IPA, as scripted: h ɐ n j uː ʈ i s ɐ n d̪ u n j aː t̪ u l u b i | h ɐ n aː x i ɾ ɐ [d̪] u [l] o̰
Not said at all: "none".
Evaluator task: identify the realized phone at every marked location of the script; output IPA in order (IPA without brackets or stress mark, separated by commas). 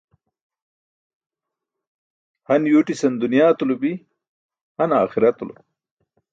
t̪, l